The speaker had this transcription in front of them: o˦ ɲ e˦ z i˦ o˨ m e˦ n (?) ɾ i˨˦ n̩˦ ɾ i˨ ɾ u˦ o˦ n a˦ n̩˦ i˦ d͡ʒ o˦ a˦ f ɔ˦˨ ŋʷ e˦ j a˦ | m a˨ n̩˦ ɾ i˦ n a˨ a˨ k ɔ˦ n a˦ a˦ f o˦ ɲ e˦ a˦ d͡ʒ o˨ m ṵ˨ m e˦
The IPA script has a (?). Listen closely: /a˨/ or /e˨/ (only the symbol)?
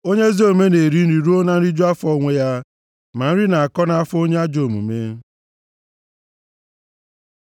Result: e˨